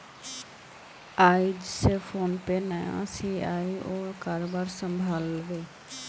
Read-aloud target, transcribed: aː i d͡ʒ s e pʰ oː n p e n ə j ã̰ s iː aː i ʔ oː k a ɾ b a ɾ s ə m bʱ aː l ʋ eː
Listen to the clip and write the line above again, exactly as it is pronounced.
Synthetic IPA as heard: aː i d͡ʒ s e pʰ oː n p e n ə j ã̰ s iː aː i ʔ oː k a ɾ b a ɾ s ə m bʱ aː l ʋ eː